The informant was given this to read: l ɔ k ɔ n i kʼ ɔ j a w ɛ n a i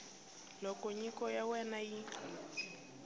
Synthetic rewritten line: l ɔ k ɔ ɲ i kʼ ɔ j a w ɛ n a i